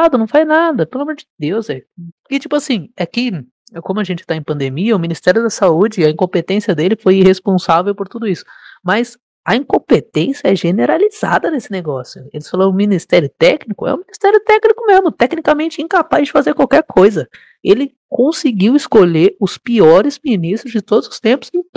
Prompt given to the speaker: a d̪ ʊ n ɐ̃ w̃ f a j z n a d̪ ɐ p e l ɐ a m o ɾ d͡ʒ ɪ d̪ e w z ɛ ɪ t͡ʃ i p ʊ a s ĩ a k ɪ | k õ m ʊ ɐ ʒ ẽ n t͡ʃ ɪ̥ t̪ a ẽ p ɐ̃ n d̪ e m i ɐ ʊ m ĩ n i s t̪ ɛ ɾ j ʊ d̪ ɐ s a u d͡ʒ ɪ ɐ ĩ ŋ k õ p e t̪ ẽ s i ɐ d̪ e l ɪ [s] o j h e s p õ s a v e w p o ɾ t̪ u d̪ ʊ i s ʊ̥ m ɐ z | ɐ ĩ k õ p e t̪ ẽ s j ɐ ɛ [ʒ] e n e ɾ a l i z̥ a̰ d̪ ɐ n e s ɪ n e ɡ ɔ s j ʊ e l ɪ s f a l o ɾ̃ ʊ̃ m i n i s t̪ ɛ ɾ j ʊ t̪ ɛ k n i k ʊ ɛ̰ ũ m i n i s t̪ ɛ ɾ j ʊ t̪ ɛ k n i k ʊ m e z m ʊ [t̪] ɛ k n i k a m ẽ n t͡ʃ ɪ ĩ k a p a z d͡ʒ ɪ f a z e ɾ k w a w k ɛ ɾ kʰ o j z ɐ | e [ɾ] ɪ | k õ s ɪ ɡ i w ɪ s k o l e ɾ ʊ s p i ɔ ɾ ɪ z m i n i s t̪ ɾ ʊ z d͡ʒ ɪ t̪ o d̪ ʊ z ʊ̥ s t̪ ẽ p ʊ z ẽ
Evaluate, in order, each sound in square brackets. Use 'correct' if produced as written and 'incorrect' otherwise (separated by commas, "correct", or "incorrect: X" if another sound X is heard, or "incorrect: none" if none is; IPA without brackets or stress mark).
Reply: incorrect: f, correct, correct, incorrect: l